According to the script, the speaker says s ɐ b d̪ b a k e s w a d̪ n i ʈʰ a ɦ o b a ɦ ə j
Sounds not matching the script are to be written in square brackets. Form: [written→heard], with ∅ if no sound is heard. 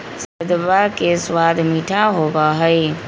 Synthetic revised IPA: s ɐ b d̪ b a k e s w a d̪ [n→m] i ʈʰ a ɦ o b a ɦ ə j